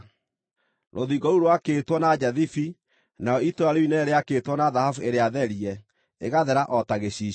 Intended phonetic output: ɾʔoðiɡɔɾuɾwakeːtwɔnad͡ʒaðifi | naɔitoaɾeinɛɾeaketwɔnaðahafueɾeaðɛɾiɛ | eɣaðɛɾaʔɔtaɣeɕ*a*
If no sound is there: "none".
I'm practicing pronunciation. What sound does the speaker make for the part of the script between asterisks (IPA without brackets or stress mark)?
i